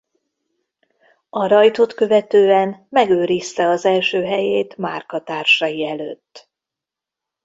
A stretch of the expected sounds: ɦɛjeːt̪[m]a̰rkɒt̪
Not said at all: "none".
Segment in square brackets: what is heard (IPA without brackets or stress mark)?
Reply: m